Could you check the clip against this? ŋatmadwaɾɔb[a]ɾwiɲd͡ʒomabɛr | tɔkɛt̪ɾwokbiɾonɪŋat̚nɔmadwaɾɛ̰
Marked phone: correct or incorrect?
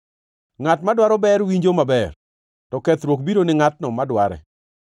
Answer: incorrect